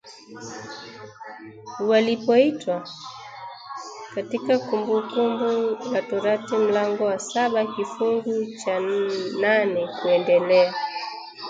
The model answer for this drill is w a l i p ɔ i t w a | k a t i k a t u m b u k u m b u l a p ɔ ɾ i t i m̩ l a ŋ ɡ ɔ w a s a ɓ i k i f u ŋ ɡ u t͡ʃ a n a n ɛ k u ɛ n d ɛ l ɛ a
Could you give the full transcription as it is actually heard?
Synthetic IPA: w a l i p ɔ i t w a | k a t i k a k u m b u k u m b u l a t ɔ ɾ a t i m̩ l a ŋ ɡ ɔ w a s a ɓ a k i f u ŋ ɡ u t͡ʃ a n a n ɛ k u ɛ n d ɛ l ɛ a